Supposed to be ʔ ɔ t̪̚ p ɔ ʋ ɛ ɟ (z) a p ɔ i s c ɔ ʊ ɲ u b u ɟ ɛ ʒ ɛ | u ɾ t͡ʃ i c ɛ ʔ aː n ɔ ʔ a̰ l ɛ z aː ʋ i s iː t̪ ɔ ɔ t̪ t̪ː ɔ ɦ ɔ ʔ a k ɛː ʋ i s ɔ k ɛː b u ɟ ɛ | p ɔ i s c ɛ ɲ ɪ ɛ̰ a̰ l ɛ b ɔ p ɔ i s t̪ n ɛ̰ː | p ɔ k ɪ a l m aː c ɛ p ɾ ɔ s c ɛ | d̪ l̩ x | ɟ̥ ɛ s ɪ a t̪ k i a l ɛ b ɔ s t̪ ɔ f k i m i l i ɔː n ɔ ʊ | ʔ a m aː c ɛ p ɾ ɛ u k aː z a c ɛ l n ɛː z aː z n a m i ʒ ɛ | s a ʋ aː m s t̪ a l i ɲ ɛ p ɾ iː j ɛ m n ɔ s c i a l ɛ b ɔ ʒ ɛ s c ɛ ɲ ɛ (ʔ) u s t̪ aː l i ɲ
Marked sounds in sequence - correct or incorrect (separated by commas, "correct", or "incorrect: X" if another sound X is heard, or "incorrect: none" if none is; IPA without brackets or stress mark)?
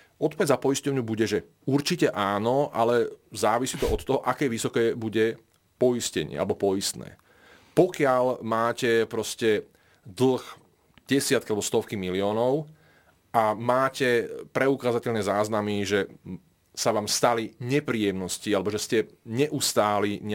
correct, correct